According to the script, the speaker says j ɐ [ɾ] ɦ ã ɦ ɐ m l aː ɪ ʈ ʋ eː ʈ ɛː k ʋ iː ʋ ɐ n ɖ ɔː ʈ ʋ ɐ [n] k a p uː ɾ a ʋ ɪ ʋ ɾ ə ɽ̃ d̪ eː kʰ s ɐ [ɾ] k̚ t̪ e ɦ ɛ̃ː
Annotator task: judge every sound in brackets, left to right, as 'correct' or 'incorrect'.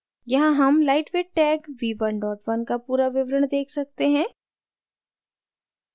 incorrect, correct, incorrect

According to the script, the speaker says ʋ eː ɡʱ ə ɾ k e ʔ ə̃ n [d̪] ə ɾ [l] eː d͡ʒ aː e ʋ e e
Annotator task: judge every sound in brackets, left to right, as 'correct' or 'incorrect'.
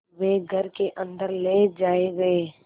correct, correct

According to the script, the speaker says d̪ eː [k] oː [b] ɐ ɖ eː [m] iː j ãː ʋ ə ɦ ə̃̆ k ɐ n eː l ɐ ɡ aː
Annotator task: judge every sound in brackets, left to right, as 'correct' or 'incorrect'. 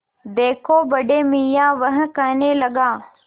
incorrect, correct, correct

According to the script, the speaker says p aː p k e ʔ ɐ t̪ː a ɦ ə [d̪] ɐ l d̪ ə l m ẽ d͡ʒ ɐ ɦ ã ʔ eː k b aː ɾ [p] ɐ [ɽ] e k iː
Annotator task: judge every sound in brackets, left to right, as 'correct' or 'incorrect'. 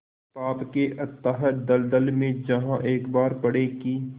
correct, correct, correct

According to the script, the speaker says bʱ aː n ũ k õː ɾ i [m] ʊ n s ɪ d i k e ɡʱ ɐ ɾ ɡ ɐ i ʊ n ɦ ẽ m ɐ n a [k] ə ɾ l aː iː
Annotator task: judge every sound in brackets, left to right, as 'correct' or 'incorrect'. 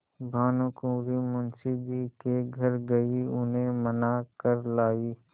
correct, correct

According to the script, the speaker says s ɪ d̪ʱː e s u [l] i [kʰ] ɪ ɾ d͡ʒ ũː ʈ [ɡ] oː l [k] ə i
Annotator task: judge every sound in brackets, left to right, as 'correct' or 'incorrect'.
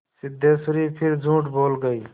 incorrect, incorrect, incorrect, incorrect

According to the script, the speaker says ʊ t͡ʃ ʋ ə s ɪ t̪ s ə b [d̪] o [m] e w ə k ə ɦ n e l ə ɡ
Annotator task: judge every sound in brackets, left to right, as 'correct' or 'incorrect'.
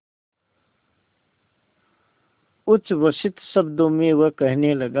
correct, correct

